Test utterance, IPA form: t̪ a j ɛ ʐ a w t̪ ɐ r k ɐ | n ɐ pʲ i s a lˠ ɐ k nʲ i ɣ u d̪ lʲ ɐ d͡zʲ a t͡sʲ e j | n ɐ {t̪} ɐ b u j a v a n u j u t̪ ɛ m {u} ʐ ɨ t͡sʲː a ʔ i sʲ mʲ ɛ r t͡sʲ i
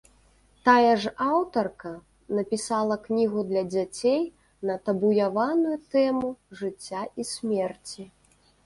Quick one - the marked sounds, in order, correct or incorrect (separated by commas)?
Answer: correct, correct